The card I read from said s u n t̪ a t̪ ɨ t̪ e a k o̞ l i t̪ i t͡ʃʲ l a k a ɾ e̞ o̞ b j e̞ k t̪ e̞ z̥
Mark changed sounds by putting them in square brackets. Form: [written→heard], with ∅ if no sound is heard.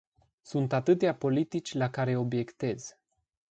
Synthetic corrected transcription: s u n t̪ a t̪ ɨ t̪ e a [k→p] o̞ l i t̪ i t͡ʃʲ l a k a ɾ e̞ o̞ b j e̞ k t̪ e̞ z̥